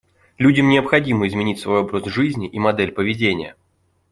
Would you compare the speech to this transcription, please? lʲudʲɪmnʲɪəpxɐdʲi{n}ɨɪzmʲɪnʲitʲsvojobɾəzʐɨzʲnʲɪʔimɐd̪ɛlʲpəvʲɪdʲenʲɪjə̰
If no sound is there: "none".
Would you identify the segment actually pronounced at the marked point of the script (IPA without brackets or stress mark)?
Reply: m